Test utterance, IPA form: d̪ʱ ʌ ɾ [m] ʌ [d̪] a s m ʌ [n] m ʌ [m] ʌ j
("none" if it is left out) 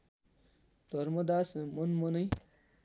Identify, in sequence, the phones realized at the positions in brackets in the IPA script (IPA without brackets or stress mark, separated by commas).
m, d̪, n, n